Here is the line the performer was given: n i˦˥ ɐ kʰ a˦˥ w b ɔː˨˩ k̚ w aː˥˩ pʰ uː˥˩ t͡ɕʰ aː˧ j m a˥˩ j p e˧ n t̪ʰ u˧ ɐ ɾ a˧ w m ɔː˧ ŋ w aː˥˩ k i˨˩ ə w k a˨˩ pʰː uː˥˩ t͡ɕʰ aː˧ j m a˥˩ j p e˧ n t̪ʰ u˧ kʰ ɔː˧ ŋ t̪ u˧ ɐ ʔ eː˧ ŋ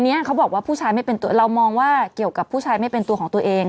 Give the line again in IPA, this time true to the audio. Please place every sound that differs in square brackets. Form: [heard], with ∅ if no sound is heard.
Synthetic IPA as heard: n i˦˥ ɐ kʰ a˦˥ w b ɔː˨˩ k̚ w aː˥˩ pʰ uː˥˩ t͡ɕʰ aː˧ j m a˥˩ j p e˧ n [t̪] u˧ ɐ ɾ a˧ w m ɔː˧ ŋ w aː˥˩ k i˨˩ ə w k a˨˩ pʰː uː˥˩ t͡ɕʰ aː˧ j m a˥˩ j p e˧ n [t̪] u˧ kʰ [ɔː˩˦] ŋ t̪ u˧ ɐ ʔ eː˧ ŋ